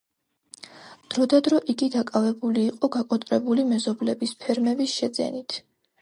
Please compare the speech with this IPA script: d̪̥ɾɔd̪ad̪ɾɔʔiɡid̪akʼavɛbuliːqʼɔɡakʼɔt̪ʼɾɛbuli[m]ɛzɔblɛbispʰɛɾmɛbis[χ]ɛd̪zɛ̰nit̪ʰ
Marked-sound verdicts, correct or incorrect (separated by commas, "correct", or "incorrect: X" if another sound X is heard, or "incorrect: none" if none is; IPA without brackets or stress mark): correct, incorrect: ʃ